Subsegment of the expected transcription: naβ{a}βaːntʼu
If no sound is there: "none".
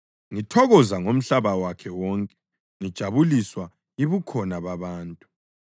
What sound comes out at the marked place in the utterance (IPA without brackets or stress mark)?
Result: a